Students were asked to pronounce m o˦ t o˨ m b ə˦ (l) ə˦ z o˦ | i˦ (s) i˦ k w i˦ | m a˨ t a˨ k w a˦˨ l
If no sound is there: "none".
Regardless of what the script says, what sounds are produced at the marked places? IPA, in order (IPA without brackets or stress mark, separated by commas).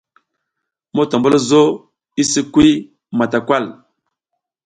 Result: l, s